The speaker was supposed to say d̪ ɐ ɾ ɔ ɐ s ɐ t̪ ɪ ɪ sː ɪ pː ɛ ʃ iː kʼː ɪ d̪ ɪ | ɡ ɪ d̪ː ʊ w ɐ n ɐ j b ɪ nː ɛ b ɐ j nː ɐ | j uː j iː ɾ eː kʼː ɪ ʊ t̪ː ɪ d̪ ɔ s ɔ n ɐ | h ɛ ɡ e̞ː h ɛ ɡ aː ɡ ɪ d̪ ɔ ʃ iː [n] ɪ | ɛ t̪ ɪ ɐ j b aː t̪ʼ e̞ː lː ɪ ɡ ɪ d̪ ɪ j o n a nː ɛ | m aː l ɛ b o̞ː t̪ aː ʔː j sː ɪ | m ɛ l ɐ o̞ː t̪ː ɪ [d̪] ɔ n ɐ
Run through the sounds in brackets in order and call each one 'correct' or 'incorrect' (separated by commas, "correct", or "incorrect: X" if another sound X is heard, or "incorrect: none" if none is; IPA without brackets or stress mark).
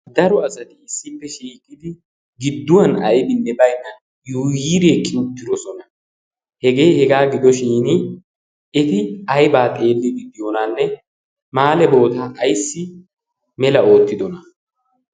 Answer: correct, correct